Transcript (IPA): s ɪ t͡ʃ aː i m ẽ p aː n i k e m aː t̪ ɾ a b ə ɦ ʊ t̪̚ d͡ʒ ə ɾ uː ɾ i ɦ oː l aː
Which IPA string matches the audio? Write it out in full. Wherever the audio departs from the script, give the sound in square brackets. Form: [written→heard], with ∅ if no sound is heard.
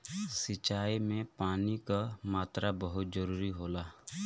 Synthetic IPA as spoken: s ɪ t͡ʃ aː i m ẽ p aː n i k [e→a] m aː t̪ ɾ a b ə ɦ ʊ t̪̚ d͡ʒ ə ɾ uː ɾ i ɦ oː l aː